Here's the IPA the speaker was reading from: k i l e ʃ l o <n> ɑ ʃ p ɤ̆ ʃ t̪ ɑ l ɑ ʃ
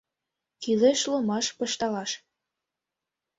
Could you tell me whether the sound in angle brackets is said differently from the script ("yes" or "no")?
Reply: yes